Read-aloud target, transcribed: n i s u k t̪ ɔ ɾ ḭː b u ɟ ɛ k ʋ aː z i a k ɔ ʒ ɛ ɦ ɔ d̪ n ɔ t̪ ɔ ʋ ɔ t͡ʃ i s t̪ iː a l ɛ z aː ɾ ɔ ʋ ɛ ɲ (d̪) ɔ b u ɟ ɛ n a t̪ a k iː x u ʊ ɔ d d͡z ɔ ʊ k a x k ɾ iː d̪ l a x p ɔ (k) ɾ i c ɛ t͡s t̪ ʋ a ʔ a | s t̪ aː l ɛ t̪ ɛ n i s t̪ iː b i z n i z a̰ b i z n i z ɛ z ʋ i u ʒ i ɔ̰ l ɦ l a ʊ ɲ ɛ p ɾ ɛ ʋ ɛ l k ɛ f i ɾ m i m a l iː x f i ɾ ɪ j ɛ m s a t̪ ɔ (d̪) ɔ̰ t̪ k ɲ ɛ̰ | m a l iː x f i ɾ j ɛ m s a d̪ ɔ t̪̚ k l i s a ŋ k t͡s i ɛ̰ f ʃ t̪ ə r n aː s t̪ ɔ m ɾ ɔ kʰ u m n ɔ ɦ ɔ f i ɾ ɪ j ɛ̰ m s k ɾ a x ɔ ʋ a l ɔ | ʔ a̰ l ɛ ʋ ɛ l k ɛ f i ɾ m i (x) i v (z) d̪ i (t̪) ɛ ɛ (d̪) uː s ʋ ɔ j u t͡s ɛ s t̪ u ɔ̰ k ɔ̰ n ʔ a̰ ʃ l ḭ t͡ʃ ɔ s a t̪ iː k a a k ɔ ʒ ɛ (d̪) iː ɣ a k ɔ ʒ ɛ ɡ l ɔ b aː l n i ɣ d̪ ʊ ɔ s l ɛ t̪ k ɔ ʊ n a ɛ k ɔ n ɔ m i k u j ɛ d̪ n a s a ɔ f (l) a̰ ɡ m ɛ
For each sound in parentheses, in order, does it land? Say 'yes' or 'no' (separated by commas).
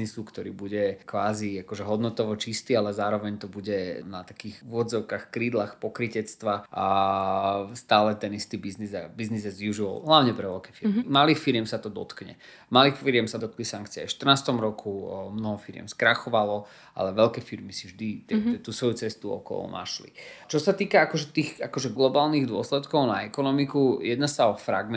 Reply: no, yes, yes, no, no, yes, no, no, no